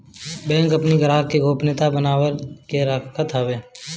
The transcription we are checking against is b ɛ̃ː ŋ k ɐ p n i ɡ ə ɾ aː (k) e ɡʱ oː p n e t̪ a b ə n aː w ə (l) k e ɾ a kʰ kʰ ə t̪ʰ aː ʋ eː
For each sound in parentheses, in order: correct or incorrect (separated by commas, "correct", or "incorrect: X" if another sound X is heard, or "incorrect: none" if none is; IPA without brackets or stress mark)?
correct, incorrect: ɾ